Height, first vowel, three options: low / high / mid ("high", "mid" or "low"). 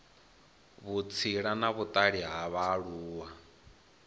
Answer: high